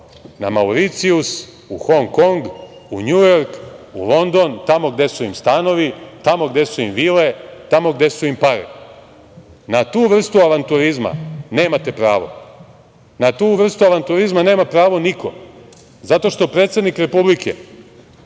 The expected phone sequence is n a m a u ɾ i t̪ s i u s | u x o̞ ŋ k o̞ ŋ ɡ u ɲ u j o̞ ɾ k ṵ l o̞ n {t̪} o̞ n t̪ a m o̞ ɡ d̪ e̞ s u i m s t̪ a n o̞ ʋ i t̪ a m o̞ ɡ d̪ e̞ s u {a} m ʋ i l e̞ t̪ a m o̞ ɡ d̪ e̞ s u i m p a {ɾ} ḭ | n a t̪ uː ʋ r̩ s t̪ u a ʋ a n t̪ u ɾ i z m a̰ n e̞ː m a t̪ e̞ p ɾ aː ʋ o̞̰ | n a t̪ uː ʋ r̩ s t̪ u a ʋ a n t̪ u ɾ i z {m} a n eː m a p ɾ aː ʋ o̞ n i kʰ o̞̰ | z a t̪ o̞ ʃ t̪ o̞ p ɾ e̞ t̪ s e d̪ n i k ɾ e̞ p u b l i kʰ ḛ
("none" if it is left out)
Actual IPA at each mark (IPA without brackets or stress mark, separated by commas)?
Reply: d̪, i, ɾ, m